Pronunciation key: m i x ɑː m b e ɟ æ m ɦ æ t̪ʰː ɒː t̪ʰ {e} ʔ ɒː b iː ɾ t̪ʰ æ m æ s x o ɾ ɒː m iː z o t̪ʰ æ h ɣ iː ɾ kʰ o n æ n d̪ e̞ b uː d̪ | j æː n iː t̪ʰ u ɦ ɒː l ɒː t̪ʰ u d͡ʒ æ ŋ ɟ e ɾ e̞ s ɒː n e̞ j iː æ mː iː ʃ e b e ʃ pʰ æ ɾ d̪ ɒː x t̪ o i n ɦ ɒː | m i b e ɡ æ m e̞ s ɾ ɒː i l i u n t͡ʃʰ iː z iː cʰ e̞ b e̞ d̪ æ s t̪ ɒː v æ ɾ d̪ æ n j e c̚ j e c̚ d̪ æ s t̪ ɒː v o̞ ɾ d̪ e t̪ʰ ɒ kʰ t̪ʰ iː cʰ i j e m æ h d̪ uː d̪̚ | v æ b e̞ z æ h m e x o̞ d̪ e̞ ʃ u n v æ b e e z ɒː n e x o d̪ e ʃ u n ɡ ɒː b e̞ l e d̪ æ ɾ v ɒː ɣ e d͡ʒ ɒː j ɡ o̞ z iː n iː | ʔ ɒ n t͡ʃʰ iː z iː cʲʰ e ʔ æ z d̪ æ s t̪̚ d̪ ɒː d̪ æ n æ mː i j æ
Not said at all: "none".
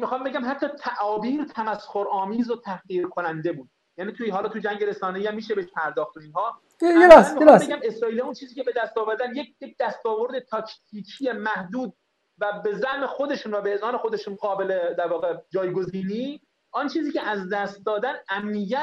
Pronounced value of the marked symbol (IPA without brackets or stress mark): æ